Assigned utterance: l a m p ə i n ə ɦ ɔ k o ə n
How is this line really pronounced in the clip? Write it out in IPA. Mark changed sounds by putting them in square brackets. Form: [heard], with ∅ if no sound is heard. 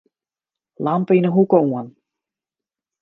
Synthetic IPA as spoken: l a m p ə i n ə ɦ [u] k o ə n